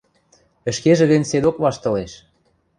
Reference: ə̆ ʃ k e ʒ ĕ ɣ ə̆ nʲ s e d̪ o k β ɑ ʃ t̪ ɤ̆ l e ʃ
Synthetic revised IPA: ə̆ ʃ k e ʒ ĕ ɣ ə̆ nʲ s e d̪ o k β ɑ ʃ t̪ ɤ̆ l e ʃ